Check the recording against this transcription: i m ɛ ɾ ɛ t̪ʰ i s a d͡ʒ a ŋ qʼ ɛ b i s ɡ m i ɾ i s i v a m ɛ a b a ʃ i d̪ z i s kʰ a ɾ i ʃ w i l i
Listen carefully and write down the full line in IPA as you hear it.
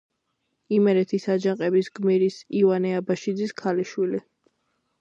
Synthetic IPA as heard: i m ɛ ɾ ɛ t̪ʰ i s a d͡ʒ a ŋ qʼ ɛ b i s ɡ m i ɾ i s i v a n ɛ a b a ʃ i d̪ z i s kʰ a l i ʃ w i l i